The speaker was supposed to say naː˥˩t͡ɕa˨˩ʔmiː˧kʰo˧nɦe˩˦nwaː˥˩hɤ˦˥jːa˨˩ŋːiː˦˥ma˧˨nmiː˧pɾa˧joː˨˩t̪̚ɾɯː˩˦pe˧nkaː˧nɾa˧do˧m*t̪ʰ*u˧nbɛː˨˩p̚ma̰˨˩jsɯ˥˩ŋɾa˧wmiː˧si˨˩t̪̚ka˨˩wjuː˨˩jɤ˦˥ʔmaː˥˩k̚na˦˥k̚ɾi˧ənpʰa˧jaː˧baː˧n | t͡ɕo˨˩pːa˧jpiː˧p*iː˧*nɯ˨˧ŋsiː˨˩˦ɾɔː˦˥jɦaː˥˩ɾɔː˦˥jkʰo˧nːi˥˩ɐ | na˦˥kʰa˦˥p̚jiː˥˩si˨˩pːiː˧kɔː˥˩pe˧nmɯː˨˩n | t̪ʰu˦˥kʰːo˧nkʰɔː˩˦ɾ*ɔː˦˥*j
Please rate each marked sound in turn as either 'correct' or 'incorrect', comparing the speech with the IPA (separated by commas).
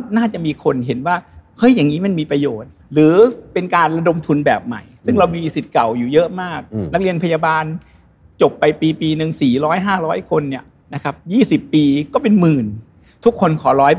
correct, correct, correct